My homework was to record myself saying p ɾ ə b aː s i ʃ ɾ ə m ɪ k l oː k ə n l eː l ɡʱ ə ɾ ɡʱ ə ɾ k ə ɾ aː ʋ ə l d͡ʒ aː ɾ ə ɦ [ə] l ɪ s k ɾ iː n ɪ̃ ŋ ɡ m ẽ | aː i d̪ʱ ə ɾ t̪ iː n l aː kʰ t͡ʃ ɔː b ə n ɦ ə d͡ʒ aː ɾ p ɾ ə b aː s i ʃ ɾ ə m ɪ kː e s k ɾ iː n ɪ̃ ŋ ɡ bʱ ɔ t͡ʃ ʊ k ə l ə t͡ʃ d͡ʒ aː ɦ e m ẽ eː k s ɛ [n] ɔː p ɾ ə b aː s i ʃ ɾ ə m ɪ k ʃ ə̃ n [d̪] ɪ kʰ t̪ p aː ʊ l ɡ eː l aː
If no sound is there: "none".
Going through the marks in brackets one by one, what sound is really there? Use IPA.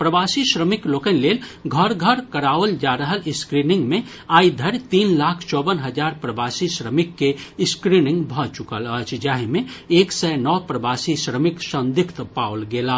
ə, n, d̪

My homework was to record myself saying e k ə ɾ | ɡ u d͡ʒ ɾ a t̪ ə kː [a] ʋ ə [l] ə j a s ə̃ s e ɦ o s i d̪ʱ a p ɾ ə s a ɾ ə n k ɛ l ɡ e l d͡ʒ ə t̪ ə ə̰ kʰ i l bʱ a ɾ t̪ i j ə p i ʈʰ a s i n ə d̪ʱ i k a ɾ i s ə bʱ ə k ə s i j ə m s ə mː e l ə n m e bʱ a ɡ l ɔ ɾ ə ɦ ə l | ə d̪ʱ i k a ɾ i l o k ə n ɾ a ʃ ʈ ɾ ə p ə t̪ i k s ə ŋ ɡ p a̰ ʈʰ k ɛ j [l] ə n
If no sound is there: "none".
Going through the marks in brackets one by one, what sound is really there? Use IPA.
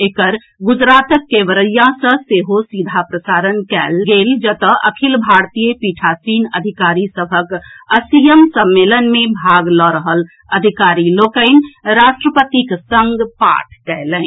e, ɾ, l

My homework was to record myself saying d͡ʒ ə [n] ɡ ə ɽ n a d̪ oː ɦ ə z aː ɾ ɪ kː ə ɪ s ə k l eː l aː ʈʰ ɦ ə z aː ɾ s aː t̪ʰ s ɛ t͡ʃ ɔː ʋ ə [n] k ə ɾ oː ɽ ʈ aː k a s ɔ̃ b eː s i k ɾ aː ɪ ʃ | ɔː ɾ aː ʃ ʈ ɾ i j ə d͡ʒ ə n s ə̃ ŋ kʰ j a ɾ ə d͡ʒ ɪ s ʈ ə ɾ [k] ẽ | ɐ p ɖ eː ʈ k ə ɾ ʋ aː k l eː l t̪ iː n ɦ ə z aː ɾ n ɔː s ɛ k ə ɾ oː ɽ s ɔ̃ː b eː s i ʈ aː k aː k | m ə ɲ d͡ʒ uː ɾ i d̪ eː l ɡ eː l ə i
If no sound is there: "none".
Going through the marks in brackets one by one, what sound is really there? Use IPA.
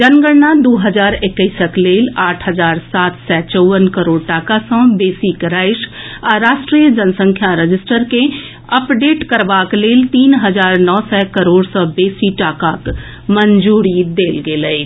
n, n, k

